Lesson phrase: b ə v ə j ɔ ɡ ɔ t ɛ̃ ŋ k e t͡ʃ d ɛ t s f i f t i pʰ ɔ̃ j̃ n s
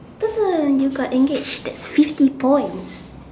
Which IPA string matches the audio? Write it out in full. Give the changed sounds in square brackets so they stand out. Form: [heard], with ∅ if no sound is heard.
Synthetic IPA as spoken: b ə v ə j [u] ɡ ɔ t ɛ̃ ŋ [ɡ] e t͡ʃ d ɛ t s f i f t i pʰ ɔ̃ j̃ n s